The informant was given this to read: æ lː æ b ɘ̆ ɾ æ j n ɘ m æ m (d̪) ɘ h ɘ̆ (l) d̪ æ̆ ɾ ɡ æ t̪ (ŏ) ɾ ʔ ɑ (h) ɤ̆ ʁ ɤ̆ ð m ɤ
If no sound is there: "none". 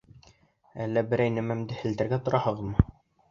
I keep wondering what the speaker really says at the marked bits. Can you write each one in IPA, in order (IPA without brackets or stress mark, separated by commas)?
d̪, l, ŏ, h